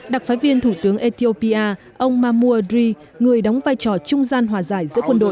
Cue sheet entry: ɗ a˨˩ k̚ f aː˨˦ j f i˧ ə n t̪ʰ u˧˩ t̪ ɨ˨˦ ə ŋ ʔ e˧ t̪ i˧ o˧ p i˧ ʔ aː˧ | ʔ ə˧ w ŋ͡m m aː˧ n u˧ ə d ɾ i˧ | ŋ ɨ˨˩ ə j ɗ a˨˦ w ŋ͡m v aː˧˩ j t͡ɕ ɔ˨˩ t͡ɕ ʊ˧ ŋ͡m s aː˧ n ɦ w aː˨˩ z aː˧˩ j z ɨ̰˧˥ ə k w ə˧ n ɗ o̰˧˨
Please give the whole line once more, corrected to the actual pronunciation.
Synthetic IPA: ɗ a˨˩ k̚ f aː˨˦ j v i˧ ə n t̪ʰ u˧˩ t̪ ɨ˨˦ ə ŋ ʔ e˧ t̪ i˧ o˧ p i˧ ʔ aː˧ | ʔ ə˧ w ŋ͡m m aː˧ m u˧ ə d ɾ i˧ | ŋ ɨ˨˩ ə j ɗ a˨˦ w ŋ͡m v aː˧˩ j t͡ɕ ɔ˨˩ t͡ɕ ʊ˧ ŋ͡m z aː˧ n ɦ w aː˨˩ z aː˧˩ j z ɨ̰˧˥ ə k w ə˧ n ɗ o̰˧˨